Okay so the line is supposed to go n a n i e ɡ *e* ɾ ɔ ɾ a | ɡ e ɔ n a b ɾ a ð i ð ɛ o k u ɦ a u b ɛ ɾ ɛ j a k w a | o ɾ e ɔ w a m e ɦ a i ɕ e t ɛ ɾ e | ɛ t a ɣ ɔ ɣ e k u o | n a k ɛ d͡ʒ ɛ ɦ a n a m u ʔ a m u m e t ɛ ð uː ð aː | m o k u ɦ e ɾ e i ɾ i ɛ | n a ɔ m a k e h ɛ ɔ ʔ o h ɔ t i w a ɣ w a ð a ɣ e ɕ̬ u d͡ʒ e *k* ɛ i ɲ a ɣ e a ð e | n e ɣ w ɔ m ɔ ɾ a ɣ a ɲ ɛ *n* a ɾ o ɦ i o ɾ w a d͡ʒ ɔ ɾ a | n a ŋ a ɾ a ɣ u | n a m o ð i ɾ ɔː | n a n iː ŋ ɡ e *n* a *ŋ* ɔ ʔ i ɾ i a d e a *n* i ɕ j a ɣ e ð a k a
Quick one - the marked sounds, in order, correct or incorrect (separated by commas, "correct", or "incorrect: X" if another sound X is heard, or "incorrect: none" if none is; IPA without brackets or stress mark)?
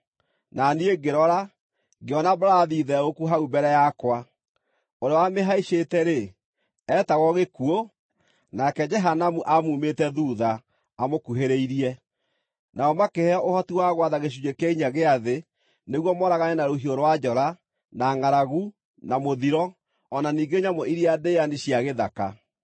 correct, correct, correct, incorrect: ɲ, incorrect: m, correct